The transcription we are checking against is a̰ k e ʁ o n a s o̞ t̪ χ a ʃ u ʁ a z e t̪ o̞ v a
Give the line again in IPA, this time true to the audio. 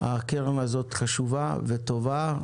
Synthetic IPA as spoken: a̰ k e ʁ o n a z o̞ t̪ χ a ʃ u v a v e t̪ o̞ v a